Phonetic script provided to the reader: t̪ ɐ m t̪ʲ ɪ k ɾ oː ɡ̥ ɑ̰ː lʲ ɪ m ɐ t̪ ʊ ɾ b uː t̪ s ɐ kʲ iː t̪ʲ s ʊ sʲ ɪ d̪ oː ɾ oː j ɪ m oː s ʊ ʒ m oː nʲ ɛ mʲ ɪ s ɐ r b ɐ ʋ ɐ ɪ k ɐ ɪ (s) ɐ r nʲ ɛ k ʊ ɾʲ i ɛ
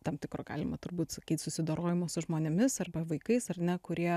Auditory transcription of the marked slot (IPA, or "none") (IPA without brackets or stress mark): s